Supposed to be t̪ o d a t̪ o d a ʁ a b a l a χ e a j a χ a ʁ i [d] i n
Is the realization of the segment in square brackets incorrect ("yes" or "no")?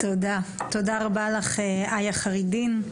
no